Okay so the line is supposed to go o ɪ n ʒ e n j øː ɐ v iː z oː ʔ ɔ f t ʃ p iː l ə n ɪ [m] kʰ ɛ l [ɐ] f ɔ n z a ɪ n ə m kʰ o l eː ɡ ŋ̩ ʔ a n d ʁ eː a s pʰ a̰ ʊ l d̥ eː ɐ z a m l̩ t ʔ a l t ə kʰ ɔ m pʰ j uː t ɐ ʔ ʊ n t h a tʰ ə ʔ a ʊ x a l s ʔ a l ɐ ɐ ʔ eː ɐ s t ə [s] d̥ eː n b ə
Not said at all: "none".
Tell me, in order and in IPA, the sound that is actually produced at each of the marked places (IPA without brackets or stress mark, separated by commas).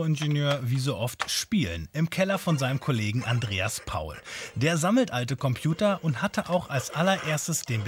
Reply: m, ɐ, s